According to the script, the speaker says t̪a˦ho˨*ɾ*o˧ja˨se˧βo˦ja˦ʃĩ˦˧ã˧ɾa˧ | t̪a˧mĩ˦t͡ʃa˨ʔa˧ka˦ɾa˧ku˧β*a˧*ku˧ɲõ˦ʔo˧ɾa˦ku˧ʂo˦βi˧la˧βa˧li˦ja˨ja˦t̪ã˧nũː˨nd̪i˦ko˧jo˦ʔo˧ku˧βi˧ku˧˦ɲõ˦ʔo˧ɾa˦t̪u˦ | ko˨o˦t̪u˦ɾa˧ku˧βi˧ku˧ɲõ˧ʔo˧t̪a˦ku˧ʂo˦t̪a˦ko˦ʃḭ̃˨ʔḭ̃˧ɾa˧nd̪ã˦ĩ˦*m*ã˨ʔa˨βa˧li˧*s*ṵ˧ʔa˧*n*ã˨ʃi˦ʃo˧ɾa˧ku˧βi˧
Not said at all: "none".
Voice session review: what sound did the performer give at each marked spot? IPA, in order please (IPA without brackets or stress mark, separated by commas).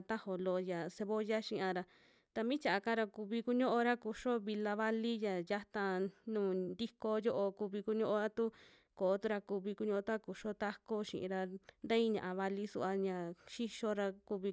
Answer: l, i˧, ɲ, s, ɲ